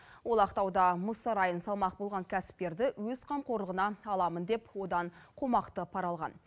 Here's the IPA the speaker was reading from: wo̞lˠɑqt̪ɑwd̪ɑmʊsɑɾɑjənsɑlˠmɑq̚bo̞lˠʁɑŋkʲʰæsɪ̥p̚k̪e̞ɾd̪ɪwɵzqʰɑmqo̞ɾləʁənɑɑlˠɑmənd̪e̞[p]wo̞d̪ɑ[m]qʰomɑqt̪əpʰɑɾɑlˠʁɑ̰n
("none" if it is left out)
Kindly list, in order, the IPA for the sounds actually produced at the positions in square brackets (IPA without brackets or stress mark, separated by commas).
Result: p, ɴ